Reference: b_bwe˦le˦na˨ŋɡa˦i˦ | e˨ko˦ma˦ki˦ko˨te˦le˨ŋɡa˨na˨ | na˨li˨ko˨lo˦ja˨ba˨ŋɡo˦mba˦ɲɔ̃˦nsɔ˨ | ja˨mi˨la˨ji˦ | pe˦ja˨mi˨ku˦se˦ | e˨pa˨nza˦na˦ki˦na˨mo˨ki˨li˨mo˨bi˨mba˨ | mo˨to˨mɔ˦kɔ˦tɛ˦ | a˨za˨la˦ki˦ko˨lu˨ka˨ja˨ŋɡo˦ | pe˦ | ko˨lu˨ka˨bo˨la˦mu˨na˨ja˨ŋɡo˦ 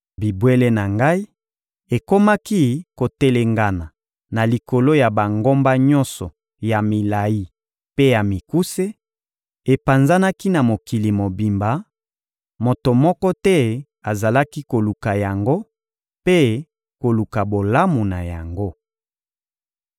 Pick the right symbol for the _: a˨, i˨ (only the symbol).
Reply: i˨